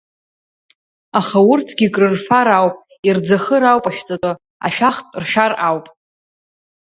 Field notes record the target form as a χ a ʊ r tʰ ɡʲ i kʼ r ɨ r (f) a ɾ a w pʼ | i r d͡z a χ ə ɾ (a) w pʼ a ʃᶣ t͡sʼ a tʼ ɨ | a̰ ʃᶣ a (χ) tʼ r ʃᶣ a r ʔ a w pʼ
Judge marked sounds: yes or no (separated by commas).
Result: yes, yes, yes